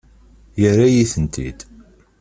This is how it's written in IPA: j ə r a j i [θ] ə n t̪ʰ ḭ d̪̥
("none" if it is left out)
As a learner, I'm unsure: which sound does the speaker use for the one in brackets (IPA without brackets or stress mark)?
θ